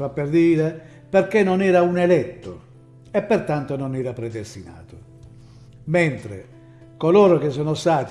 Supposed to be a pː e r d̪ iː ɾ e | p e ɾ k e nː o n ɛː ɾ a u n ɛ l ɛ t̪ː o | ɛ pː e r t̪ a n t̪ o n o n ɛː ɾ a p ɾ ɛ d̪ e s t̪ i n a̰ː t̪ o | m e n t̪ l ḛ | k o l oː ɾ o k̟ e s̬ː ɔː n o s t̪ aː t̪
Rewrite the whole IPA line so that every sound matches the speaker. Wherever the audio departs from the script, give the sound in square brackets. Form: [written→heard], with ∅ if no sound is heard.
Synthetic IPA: a pː e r d̪ iː ɾ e | p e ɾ k e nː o n ɛː ɾ a u n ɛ l ɛ t̪ː o | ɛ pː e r t̪ a n t̪ o n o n ɛː ɾ a p ɾ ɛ d̪ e s t̪ i n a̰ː t̪ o | m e n t̪ [l→ɾ] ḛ | k o l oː ɾ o k̟ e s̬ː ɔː n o s t̪ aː t̪